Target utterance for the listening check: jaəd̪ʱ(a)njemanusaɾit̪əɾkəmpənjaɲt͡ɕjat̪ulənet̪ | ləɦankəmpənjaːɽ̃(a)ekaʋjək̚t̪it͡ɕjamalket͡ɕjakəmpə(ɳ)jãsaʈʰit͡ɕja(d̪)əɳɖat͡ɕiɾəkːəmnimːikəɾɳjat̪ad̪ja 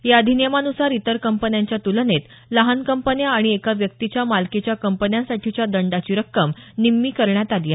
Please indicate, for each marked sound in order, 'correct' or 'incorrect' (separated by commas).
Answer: incorrect, incorrect, incorrect, correct